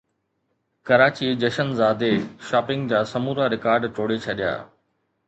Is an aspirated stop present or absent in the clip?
present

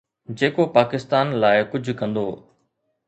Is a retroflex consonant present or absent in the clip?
absent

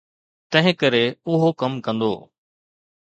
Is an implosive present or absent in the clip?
absent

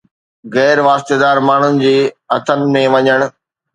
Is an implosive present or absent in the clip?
absent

